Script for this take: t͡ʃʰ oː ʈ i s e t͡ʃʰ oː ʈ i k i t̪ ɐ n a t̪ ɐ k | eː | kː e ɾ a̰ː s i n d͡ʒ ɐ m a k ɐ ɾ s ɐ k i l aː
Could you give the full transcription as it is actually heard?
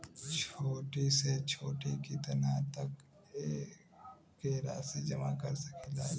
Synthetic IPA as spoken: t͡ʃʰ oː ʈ i s e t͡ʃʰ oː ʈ i k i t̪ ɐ n a t̪ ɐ k | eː | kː e ɾ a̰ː s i d͡ʒ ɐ m a k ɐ ɾ s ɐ k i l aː